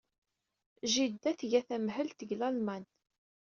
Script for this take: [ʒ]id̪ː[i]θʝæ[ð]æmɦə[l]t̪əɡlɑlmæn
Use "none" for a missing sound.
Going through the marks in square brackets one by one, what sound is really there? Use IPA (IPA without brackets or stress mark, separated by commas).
ʒ, æ, θ, l